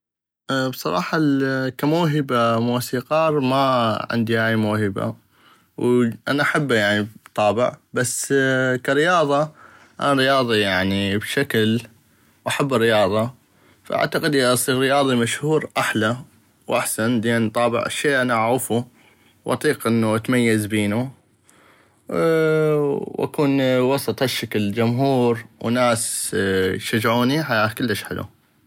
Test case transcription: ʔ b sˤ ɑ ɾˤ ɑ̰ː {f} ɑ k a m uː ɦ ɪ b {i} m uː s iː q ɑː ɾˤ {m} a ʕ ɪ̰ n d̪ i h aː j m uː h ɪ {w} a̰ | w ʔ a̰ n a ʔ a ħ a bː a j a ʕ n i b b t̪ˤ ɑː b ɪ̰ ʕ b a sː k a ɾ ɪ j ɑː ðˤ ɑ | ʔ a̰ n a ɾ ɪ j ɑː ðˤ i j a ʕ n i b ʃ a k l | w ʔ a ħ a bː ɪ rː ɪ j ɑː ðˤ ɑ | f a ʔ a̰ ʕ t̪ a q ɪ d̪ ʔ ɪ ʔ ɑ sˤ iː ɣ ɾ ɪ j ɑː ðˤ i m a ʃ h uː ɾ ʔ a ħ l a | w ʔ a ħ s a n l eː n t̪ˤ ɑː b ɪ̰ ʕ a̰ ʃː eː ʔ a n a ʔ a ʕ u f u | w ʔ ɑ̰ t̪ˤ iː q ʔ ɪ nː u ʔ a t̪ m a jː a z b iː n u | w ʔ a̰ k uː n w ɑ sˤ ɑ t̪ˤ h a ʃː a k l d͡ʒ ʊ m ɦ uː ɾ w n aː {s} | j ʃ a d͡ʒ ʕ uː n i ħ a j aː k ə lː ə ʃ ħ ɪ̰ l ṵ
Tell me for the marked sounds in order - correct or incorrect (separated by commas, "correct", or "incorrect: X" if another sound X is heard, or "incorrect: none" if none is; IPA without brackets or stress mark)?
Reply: incorrect: ħ, incorrect: a, correct, incorrect: b, correct